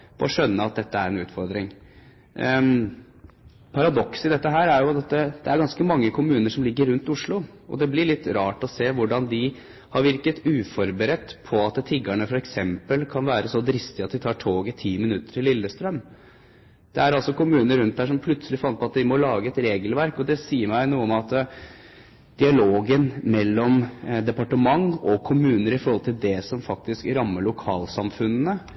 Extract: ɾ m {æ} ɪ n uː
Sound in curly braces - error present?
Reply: no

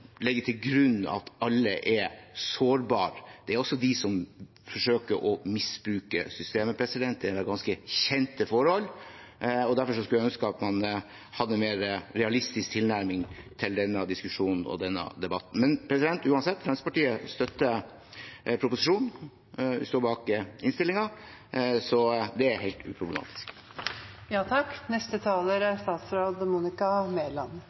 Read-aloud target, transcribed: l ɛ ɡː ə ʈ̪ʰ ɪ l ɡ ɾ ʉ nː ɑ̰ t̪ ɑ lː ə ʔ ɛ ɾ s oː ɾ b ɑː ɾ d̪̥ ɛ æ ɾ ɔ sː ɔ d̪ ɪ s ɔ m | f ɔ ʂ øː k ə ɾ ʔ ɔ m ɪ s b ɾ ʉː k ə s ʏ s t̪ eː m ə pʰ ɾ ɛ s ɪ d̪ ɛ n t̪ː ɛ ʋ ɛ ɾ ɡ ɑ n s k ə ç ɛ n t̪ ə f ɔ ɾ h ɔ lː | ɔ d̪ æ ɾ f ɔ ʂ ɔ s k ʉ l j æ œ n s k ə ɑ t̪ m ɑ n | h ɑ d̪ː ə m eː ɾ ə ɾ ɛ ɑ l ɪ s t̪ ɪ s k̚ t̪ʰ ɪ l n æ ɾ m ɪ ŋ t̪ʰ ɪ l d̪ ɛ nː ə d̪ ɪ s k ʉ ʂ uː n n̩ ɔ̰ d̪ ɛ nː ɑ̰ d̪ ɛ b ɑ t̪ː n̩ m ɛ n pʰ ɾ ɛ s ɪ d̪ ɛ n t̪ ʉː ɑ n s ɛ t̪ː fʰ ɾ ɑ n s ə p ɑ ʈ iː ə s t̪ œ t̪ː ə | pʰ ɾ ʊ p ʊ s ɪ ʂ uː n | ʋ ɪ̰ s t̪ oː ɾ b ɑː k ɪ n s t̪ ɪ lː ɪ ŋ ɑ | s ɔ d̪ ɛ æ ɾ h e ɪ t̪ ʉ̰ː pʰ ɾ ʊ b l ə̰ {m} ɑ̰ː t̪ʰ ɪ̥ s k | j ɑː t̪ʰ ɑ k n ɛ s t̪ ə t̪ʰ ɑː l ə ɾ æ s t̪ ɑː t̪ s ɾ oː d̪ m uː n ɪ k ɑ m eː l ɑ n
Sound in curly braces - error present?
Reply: no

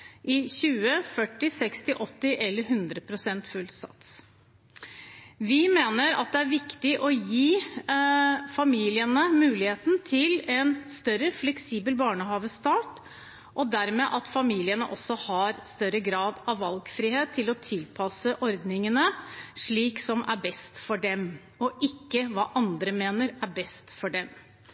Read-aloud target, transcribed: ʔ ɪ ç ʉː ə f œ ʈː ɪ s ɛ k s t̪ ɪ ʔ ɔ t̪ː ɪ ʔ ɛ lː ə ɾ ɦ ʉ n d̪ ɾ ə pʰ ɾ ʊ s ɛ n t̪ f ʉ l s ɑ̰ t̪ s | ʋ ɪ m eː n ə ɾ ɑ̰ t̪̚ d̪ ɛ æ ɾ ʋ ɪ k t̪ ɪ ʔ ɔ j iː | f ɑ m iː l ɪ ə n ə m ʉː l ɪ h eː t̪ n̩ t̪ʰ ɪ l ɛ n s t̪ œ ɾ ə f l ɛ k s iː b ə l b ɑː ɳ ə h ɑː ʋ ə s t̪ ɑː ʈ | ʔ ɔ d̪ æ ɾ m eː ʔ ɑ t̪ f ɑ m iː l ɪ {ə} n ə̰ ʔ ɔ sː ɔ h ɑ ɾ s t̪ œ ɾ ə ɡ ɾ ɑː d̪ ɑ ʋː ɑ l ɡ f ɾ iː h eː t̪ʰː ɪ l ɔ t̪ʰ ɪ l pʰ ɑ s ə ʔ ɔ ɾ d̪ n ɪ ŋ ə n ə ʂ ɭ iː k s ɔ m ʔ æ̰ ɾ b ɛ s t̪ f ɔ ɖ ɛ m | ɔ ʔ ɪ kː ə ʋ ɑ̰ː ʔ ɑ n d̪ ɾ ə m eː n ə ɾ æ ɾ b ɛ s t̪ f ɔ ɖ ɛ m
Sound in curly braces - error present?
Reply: no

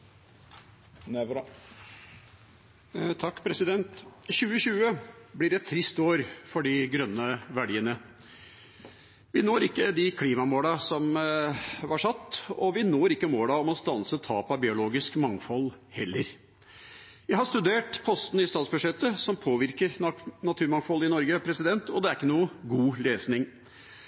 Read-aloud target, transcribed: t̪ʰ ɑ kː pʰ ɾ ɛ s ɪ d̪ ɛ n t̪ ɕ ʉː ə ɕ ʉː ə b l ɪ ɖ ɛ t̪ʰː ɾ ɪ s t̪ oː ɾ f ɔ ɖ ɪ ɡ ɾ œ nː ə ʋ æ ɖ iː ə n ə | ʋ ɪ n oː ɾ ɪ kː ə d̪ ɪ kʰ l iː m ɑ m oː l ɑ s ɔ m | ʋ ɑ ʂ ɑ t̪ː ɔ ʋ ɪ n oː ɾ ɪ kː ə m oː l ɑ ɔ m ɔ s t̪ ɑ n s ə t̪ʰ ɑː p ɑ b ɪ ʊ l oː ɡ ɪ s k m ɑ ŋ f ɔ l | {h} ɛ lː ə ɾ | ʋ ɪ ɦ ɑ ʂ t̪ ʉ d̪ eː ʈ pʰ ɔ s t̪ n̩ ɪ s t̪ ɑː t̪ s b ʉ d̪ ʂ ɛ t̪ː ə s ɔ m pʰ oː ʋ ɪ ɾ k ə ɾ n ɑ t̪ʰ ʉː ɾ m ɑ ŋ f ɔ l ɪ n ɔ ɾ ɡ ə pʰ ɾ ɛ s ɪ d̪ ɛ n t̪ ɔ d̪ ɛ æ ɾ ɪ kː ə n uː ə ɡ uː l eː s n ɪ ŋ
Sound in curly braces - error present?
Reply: no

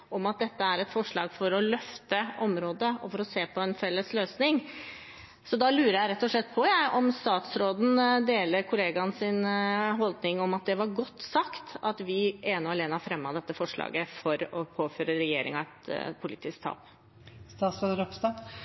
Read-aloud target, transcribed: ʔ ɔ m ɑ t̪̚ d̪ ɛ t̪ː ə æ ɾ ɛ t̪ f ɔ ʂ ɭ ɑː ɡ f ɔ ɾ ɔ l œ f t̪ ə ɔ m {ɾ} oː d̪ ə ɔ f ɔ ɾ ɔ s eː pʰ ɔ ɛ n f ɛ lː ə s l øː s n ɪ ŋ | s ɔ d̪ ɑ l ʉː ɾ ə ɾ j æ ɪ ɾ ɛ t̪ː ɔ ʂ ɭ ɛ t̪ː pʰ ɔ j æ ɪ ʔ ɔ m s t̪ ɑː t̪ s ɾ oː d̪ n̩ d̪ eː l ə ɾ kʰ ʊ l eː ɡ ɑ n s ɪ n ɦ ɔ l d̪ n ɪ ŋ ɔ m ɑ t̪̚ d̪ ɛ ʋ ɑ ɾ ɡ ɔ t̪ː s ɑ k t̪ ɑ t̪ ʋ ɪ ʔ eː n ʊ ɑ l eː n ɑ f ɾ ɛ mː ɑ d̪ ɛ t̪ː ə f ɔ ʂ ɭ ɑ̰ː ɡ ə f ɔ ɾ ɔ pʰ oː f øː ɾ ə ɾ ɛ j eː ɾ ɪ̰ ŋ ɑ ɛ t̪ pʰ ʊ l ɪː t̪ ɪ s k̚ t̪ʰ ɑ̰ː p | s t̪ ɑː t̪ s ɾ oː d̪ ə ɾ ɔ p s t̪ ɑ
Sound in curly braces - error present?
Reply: no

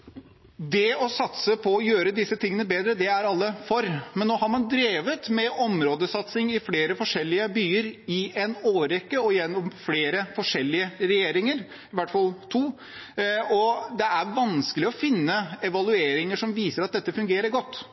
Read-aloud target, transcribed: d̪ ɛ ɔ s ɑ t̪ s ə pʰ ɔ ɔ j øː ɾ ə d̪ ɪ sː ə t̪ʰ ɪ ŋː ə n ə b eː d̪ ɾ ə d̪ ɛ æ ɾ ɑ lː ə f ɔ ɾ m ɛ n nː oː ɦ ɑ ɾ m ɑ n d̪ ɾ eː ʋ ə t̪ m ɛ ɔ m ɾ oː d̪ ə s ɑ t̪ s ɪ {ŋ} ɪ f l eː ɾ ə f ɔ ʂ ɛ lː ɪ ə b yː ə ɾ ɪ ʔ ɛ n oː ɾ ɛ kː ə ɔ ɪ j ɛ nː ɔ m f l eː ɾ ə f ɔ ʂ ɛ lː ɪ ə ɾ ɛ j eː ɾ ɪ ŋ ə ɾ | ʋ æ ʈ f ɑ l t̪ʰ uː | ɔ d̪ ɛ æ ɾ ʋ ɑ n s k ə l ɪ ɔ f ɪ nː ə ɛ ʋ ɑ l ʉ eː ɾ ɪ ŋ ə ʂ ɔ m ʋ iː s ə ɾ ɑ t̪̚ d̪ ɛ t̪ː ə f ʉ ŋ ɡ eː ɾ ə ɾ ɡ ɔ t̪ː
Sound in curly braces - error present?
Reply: no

